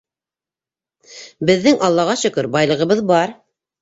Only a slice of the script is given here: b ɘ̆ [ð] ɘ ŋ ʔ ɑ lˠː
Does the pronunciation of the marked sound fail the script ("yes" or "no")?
yes